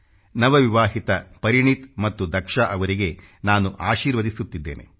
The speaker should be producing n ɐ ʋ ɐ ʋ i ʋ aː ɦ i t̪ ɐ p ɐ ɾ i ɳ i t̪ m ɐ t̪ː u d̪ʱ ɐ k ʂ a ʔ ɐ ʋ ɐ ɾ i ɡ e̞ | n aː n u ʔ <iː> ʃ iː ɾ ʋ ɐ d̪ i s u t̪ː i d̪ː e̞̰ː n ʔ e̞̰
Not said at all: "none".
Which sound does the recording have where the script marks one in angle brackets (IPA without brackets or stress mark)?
aː